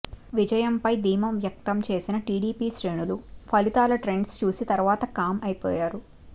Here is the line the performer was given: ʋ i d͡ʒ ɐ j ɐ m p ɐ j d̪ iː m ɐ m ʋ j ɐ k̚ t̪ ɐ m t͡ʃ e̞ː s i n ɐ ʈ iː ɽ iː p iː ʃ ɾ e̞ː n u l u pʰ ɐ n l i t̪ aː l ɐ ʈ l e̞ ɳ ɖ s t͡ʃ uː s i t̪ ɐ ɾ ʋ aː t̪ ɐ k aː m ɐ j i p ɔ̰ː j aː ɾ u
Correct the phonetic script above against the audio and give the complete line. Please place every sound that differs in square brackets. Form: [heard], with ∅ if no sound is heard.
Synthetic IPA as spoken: ʋ i d͡ʒ ɐ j ɐ m p ɐ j d̪ iː m ɐ m ʋ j ɐ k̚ t̪ ɐ m t͡ʃ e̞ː s i n ɐ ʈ iː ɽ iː p iː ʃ ɾ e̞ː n u l u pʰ ɐ [∅] l i t̪ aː l ɐ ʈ [ɾ] e̞ ɳ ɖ s t͡ʃ uː s i t̪ ɐ ɾ ʋ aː t̪ ɐ k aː m ɐ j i p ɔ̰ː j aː ɾ u